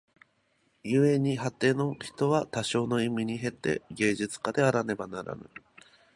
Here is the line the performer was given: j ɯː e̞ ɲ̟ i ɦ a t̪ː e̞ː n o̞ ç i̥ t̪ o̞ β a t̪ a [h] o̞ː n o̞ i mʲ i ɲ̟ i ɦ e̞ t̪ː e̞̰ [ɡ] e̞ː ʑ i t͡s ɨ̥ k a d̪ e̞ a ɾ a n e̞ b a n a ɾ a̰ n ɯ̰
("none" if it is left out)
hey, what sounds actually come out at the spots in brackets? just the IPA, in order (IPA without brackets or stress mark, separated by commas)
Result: ɕ, ɡ